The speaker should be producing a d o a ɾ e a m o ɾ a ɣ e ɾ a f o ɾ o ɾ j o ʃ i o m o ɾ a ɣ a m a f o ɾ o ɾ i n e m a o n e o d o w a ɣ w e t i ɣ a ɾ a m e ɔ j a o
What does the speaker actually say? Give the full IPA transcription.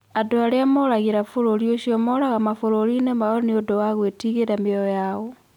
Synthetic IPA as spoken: a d o a ɾ e a m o ɾ a ɣ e ɾ a f o ɾ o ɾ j o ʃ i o m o ɾ a ɣ a m a f o ɾ o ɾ i n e m a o n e o d o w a ɣ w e t i ɣ e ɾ a m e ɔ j a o